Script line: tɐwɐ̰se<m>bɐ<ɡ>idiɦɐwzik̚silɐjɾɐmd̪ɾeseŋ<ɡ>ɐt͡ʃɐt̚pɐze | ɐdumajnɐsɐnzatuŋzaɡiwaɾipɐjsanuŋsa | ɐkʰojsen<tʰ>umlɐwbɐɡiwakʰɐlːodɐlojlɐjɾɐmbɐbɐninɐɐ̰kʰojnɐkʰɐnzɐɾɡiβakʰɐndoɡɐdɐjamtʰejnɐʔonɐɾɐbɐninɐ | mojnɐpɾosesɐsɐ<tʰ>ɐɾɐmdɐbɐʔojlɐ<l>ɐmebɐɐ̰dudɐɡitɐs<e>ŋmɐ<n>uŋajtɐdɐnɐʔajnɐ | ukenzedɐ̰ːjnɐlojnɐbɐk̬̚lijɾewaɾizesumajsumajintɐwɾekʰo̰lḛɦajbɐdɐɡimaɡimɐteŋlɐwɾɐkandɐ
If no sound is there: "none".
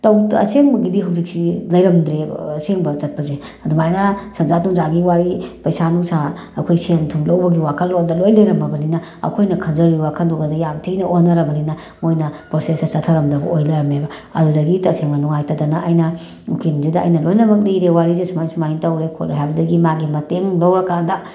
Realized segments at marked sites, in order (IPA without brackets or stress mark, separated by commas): ŋ, ɡ, b, tʰ, tʰ, ɾ, e, n